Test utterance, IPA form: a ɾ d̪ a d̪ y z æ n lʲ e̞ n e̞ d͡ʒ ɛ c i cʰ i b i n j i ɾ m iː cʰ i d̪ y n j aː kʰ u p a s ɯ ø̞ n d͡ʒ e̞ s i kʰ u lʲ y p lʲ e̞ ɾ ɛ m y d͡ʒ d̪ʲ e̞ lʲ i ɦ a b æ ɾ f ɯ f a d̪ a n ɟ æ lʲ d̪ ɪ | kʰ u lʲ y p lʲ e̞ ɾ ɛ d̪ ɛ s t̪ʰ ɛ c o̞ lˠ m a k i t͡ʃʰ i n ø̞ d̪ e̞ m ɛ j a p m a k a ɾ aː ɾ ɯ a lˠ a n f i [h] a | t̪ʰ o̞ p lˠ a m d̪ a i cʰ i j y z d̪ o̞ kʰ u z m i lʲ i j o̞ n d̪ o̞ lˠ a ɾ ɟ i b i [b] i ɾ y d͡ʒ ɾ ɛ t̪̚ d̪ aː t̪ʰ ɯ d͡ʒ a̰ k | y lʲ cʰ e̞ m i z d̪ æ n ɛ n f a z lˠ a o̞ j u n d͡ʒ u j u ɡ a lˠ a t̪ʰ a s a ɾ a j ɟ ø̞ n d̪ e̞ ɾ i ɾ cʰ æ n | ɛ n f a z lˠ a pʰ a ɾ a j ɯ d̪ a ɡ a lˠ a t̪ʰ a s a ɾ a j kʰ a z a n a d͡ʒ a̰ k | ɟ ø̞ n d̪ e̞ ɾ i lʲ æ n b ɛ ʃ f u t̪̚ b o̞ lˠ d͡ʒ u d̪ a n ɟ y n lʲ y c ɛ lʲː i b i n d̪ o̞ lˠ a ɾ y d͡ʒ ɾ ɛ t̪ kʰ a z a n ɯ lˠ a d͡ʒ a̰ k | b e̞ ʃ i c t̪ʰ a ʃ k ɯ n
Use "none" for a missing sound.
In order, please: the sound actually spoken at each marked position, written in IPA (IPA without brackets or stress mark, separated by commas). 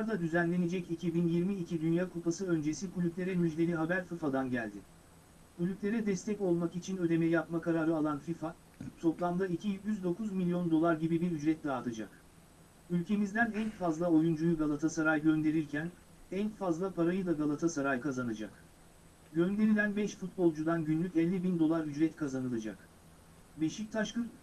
f, b